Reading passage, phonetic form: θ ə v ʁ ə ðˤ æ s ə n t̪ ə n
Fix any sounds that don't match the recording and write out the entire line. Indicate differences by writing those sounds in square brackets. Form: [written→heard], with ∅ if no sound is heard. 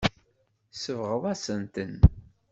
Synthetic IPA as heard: [θ→s] ə v ʁ ə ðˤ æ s ə n t̪ ə n